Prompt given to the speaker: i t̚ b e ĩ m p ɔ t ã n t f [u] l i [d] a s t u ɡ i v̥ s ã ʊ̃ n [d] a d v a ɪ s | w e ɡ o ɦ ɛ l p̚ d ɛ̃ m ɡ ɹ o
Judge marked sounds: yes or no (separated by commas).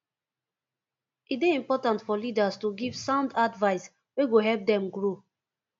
no, yes, yes